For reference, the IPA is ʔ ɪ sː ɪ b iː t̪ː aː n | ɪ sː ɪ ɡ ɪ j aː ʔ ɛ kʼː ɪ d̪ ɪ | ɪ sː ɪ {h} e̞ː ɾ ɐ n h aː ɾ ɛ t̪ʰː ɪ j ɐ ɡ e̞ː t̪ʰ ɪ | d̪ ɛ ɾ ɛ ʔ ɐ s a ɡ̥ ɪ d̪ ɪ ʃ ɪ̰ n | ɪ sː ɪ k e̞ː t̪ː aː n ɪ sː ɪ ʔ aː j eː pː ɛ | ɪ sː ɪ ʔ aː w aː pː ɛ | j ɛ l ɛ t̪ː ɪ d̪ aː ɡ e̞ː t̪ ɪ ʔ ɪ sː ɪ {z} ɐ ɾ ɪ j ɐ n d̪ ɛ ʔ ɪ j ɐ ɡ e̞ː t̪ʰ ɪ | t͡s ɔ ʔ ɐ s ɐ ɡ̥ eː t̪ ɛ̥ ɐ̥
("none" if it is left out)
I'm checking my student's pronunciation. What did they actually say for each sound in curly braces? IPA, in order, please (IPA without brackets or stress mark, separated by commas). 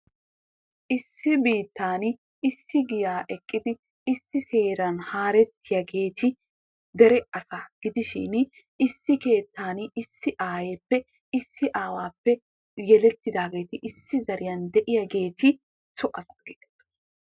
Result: s, z